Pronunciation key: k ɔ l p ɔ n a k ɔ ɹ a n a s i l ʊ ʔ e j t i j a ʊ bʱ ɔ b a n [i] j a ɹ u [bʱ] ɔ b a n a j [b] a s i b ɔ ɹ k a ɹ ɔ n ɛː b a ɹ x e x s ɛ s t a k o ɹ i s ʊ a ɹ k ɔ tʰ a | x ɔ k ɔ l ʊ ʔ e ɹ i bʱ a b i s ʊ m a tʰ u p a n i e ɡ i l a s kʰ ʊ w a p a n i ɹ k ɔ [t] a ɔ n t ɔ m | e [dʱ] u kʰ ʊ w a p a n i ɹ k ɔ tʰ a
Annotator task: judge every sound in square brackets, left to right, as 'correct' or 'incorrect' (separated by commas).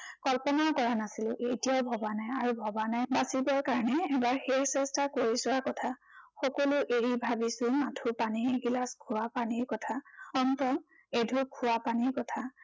incorrect, correct, correct, incorrect, correct